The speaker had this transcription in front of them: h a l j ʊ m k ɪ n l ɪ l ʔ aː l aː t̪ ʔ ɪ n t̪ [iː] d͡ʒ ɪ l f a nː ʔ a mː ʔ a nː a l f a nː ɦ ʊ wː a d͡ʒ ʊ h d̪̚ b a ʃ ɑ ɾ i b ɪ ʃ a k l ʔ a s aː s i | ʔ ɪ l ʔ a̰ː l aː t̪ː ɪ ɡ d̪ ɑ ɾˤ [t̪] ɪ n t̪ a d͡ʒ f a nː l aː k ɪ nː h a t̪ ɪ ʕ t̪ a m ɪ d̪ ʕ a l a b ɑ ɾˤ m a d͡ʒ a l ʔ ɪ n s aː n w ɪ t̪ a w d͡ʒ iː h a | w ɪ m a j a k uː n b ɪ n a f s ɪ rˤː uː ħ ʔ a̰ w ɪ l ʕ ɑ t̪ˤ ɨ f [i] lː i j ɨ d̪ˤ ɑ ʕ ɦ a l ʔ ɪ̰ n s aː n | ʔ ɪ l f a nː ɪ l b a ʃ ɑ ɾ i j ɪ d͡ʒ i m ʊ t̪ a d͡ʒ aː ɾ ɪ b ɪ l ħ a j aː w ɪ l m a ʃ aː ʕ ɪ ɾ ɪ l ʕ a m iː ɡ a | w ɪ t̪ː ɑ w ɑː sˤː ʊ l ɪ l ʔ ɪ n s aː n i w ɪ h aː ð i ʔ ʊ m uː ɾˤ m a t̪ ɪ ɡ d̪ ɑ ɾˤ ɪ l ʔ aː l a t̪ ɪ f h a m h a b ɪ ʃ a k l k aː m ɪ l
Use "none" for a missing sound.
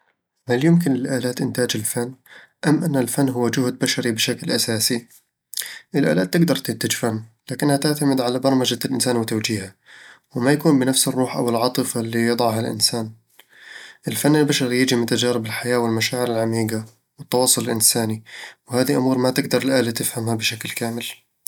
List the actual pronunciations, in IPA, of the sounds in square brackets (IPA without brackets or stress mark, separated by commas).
aː, t̪, a